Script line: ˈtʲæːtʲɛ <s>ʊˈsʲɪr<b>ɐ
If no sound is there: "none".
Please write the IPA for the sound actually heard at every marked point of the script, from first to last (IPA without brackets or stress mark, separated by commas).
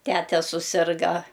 s, ɡ